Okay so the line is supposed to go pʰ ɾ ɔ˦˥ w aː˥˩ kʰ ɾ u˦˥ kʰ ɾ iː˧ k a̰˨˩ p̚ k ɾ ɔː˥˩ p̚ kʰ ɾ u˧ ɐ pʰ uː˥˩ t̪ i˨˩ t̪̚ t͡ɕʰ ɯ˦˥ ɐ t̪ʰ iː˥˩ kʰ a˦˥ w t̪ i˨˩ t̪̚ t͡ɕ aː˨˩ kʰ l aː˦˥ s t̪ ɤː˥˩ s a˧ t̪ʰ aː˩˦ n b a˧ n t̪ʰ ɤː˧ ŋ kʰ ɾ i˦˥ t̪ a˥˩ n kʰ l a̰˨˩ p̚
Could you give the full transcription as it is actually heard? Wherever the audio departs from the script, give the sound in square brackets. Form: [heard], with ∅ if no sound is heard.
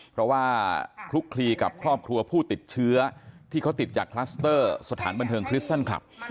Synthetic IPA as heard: pʰ ɾ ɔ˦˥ w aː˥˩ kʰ ɾ u˦˥ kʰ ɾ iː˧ k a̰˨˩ p̚ [kʰ] ɾ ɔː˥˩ p̚ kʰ ɾ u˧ ɐ pʰ uː˥˩ t̪ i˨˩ t̪̚ t͡ɕʰ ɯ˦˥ ɐ t̪ʰ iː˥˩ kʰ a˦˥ w t̪ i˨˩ t̪̚ t͡ɕ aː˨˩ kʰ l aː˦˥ s t̪ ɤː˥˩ s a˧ t̪ʰ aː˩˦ n b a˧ n t̪ʰ ɤː˧ ŋ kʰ ɾ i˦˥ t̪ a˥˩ n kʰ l a̰˨˩ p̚